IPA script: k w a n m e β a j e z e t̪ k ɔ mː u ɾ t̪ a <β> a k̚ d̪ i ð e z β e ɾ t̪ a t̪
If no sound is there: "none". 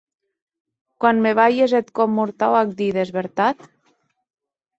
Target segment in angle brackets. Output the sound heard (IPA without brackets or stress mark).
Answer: w